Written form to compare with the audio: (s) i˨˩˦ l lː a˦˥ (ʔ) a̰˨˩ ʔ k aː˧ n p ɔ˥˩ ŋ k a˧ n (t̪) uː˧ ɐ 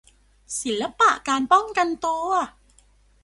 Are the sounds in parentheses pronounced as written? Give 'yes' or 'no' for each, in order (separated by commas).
yes, no, yes